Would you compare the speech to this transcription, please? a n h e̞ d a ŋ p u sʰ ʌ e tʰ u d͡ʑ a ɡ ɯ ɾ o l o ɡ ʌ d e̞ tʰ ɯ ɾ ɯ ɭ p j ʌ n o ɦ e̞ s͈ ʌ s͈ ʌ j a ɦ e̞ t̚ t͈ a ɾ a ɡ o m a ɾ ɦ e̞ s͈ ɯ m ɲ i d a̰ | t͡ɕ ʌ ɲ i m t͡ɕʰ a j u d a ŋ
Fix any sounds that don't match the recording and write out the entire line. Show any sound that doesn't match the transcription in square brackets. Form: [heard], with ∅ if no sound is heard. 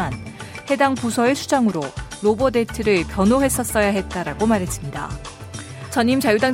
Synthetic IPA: a n h e̞ d a ŋ p u sʰ ʌ e [sʰ] u d͡ʑ a [ŋ] ɯ ɾ o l o [b] ʌ d e̞ tʰ ɯ ɾ ɯ ɭ p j ʌ n o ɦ e̞ s͈ ʌ s͈ ʌ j a ɦ e̞ t̚ t͈ a ɾ a ɡ o m a ɾ ɦ e̞ s͈ ɯ m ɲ i d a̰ | t͡ɕ ʌ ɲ i m [t͡ɕ] a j u d a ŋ